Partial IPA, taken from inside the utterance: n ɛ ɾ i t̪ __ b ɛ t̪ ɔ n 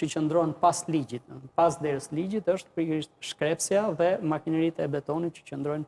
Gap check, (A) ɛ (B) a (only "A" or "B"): A